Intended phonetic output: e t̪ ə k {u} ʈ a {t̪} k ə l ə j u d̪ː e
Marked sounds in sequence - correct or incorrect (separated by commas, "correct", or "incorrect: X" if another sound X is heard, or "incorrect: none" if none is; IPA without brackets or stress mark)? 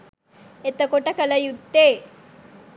incorrect: o, incorrect: none